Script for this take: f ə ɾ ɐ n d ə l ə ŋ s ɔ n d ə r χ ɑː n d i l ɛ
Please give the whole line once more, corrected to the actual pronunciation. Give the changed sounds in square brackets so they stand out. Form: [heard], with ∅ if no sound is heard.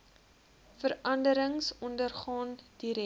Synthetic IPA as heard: f ə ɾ ɐ n d ə [ɾ] ə ŋ s ɔ n d ə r χ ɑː n d i [ɾ] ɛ

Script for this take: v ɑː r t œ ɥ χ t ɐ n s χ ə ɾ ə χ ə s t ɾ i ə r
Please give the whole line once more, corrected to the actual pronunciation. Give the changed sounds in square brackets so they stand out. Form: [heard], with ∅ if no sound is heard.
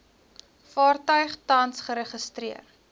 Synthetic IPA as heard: [f] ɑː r t œ ɥ χ t ɐ n s χ ə ɾ ə χ ə s t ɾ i ə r

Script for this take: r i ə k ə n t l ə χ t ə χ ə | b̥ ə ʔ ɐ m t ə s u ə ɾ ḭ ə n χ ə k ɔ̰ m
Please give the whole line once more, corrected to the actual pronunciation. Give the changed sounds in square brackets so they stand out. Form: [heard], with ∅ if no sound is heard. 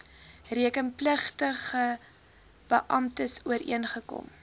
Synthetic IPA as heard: r i ə k ə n [p] l ə χ t ə χ ə | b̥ ə ʔ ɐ m t ə s u ə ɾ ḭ ə n χ ə k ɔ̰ m

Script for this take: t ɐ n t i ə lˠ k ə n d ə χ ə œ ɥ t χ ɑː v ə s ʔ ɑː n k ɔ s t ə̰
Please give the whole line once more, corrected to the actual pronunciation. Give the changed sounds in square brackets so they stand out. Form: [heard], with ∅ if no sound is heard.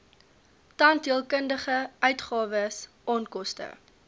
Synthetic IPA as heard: t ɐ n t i ə lˠ k ə n d ə χ ə œ ɥ t χ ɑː v ə s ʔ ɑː n k ɔ s t ə̰

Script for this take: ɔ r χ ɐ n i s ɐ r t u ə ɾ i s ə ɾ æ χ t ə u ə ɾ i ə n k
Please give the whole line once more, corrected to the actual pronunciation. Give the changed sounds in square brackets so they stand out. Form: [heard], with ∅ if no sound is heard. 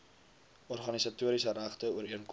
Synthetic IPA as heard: ɔ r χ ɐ n i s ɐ [∅] t u ə ɾ i s ə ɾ æ χ t ə u ə ɾ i ə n k

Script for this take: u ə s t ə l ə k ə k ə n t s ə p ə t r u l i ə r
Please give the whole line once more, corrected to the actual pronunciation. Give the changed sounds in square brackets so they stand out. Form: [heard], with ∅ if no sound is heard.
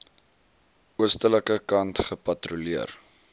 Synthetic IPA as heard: u ə s t ə l ə k ə k [ɐ] n t [χ] ə p [ɐ] t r u l i ə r

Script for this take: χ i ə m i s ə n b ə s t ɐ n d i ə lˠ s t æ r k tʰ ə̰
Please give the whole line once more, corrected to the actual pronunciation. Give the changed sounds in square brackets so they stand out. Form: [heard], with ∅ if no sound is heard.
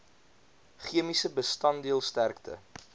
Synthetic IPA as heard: χ i ə m i s ə [∅] b ə s t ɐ n d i ə lˠ s t æ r k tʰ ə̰

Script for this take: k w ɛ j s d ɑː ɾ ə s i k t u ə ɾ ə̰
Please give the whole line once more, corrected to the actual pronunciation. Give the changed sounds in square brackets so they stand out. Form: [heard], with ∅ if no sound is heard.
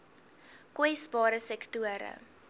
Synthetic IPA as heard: k w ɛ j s [b] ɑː ɾ ə s [ɛ] k t u ə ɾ ə̰

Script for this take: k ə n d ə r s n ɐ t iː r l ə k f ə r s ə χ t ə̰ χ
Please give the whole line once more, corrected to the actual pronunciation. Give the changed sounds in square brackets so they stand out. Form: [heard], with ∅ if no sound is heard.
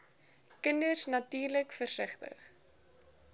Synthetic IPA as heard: k ə n d ə r s n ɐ t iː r l ə k f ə r s ə χ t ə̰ χ

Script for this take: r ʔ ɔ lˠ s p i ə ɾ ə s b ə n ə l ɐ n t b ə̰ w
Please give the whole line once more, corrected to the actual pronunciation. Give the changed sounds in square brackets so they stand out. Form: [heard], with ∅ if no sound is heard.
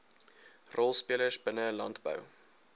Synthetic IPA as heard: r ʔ ɔ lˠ s p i ə [l] ə s b ə n ə l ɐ n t b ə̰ w

